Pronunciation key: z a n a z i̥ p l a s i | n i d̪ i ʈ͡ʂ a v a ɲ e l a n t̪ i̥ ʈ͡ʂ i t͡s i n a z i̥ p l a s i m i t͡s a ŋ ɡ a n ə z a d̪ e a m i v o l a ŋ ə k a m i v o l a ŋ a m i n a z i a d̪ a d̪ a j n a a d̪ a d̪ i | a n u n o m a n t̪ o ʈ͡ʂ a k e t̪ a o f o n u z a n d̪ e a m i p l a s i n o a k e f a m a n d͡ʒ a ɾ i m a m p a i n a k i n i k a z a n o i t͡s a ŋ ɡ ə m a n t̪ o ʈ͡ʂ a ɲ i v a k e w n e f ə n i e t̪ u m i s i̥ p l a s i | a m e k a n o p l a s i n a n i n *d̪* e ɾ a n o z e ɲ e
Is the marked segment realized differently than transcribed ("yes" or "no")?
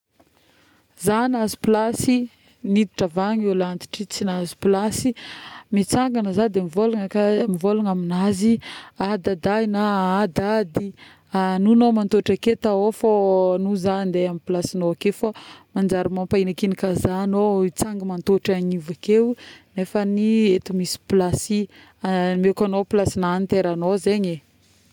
yes